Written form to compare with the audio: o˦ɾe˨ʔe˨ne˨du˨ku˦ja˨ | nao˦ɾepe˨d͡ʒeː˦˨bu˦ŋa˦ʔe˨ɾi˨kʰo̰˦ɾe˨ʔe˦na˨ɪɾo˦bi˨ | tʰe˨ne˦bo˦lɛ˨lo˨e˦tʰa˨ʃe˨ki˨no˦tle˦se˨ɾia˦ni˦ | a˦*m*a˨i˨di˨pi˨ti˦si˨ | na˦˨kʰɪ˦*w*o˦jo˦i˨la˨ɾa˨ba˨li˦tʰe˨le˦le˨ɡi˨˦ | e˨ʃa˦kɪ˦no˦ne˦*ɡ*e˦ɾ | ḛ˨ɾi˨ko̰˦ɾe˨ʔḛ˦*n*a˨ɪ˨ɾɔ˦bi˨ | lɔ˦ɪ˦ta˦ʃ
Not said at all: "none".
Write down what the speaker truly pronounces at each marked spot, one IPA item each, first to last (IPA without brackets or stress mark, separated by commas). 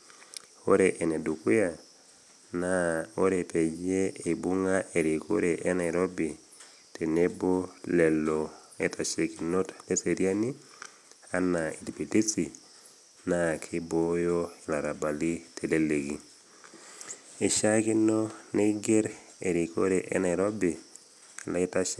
n, b, ɡ, n